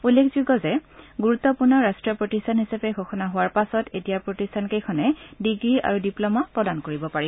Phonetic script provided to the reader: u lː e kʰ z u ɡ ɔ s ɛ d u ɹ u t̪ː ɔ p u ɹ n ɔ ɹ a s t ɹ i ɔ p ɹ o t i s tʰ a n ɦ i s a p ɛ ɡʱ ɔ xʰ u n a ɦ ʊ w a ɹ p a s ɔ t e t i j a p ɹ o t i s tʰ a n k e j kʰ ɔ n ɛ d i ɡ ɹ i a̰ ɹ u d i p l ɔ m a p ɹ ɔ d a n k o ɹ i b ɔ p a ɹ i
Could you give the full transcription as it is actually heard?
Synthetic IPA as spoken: u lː e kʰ z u ɡ ɔ z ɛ ɡ u ɹ u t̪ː ɔ p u ɹ n ɔ ɹ a s t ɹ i ɔ p ɹ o t i s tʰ a n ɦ i s a p ɛ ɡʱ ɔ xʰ ɔ n a ɦ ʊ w a ɹ p a s ɔ t e t i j a p ɹ o t i s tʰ a n k e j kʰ ɔ n ɛ d i ɡ ɹ i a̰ ɹ u d i p l ɔ m a p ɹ ɔ d a n k o ɹ i b ɔ p a ɹ i

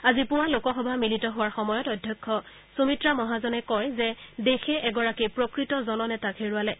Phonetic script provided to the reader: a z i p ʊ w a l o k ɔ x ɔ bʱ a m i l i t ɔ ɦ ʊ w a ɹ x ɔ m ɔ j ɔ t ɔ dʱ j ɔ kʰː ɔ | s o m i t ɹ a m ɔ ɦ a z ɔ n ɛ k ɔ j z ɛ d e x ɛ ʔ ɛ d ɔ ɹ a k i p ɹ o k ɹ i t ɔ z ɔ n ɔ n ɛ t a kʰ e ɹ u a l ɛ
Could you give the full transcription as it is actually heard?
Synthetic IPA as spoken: a z i p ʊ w a l o k ɔ x ɔ bʱ a m i l i t ɔ ɦ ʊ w a ɹ x ɔ m ɔ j ɔ t ɔ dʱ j ɔ kʰː ɔ | s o m i t ɹ a m ɔ ɦ a z ɔ n ɛ k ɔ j z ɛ d e x ɛ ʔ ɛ ɡ ɔ ɹ a k i p ɹ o k ɹ i t ɔ z ɔ n ɔ n ɛ t a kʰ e ɹ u a l ɛ

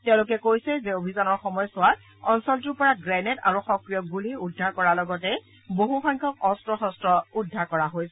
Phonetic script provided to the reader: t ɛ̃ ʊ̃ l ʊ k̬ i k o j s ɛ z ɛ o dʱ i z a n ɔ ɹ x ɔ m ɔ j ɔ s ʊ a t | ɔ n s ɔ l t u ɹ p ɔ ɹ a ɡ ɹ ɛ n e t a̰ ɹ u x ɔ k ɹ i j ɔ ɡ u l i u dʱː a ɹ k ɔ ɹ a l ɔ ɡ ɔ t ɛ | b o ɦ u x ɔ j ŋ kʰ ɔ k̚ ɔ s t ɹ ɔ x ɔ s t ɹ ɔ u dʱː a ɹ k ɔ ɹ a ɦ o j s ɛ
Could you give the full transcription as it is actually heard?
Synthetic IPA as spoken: t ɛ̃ ʊ̃ l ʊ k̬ ɛ k o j s ɛ z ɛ o bʱ i z a n ɔ ɹ x ɔ m ɔ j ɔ s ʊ a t | ɔ n s ɔ l t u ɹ p ɔ ɹ a ɡ ɹ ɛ n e t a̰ ɹ u x ɔ k ɹ i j ɔ ɡ u l i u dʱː a ɹ k ɔ ɹ a l ɔ ɡ ɔ t ɛ | b o ɦ u x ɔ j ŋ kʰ ɔ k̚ ɔ s t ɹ ɔ x ɔ s t ɹ ɔ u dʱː a ɹ k ɔ ɹ a ɦ o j s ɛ

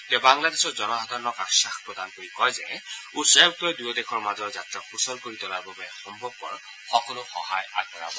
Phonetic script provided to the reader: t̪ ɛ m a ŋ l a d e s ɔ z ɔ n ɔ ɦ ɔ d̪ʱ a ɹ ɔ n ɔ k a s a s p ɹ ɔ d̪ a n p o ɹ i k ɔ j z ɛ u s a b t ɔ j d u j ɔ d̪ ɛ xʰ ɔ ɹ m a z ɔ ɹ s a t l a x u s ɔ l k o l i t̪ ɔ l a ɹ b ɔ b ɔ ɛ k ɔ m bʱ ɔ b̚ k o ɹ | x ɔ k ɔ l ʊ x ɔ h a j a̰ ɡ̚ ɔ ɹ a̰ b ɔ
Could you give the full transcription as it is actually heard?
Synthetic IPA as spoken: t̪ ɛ b a ŋ l a d e s ɔ z ɔ n ɔ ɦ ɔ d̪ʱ a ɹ ɔ n ɔ k a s a x p ɹ ɔ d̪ a n k o ɹ i k ɔ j z ɛ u s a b t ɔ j d u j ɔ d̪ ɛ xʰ ɔ ɹ m a z ɔ ɹ z a t ɹ a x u s ɔ l k o ɹ i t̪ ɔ l a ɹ b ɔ b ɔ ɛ x ɔ m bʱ ɔ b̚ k ɔ ɹ | x ɔ k ɔ l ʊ x ɔ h a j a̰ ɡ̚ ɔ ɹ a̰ b ɔ

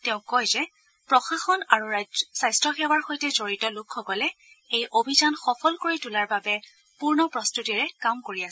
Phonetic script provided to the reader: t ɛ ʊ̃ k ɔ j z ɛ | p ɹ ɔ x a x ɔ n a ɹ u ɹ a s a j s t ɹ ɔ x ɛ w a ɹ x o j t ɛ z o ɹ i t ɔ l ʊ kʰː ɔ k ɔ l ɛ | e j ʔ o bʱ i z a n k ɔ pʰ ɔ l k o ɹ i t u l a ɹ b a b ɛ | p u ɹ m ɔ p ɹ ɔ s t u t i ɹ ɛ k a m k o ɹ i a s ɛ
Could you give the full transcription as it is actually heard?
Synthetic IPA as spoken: t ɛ ʊ̃ k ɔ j z ɛ | p ɹ ɔ x a x ɔ n a ɹ u ɹ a s a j s t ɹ ɔ x ɛ w a ɹ x o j t ɛ z o ɹ i t ɔ l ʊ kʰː ɔ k ɔ l ɛ | e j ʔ o bʱ i z a n x ɔ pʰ ɔ l k o ɹ i t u l a ɹ b a b ɛ | p u ɹ n ɔ p ɹ ɔ s t u t i ɹ ɛ k a m k o ɹ i a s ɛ

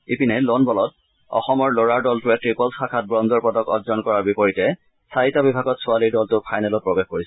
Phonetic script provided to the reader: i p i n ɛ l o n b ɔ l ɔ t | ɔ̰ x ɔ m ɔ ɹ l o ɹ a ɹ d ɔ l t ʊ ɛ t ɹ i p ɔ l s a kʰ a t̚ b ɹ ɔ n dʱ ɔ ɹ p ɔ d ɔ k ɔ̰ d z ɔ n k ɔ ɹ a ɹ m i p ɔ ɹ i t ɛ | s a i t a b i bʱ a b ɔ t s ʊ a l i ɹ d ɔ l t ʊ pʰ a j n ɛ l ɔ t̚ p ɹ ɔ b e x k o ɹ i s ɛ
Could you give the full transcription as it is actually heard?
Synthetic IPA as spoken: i p i n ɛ l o n b ɔ l ɔ t | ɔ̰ x ɔ m ɔ ɹ l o ɹ a ɹ d ɔ l t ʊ ɛ t ɹ i p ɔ l s a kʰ a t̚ b ɹ ɔ n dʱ ɔ ɹ p ɔ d ɔ k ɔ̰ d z ɔ n k ɔ ɹ a ɹ b i p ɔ ɹ i t ɛ | s a i t a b i bʱ a ɡ ɔ t s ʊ a l i ɹ d ɔ l t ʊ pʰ a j n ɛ l ɔ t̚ p ɹ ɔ b e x k o ɹ i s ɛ

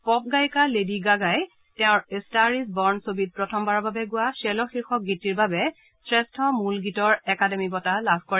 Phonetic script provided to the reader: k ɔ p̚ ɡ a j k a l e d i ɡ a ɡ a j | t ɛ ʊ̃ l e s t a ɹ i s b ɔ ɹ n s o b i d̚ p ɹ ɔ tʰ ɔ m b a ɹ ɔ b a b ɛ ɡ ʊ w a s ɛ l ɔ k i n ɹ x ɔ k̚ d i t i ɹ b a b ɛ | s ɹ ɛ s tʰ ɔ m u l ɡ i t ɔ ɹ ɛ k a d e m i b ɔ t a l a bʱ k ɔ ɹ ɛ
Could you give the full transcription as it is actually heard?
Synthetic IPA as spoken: p ɔ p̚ ɡ a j k a l e d i ɡ a ɡ a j | t ɛ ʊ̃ ɹ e s t a ɹ i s b ɔ ɹ n s o b i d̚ p ɹ ɔ tʰ ɔ m b a ɹ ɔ b a b ɛ ɡ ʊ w a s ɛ l ɔ x i ɹ x ɔ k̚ ɡ i t i ɹ b a b ɛ | s ɹ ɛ s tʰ ɔ m u l ɡ i t ɔ ɹ ɛ k a d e m i b ɔ t a l a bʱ k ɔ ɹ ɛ

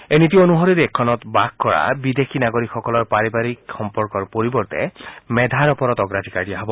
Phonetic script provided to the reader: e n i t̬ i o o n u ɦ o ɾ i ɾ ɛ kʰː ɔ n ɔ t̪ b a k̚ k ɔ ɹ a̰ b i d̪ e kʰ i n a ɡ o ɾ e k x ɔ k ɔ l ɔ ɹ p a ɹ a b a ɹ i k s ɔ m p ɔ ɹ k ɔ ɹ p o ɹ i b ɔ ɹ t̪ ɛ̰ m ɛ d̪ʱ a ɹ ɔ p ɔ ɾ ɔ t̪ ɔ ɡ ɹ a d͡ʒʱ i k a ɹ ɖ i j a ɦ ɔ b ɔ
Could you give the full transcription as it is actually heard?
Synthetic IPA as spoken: e n i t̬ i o o n u ɦ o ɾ i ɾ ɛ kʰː ɔ n ɔ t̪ b a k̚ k ɔ ɹ a̰ b i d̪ e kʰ i n a ɡ o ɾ i k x ɔ k ɔ l ɔ ɹ p a ɹ i b a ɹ i k x ɔ m p ɔ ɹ k ɔ ɹ p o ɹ i b ɔ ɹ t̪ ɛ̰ m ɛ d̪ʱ a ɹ ɔ p ɔ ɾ ɔ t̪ ɔ ɡ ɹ a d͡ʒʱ i k a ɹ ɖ i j a ɦ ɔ b ɔ

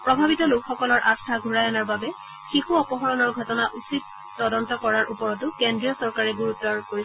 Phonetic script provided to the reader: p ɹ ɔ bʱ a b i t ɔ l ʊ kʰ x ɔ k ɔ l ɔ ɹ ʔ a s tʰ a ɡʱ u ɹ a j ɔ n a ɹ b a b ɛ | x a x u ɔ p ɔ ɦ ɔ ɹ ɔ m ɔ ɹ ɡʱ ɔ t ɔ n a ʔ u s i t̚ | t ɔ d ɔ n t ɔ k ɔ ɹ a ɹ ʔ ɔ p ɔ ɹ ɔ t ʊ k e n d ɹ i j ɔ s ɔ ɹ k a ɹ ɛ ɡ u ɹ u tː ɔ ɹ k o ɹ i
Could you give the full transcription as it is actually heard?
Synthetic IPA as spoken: p ɹ ɔ bʱ a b i t ɔ l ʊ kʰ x ɔ k ɔ l ɔ ɹ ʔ a s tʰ a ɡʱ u ɹ a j ɔ n a ɹ b a b ɛ | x i x u ɔ p ɔ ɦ ɔ ɹ ɔ n ɔ ɹ ɡʱ ɔ t ɔ n a ʔ u s i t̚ | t ɔ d ɔ n t ɔ k ɔ ɹ a ɹ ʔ u p ɔ ɹ ɔ t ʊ k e n d ɹ i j ɔ s ɔ ɹ k a ɹ ɛ ɡ u ɹ u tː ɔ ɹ k o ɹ i

